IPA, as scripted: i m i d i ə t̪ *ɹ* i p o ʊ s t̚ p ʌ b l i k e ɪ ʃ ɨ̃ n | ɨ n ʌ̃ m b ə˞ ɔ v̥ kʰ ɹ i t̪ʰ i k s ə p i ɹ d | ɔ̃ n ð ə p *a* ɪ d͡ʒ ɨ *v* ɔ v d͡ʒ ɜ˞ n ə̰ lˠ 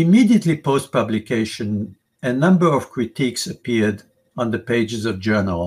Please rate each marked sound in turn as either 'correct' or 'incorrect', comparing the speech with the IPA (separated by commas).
incorrect, incorrect, incorrect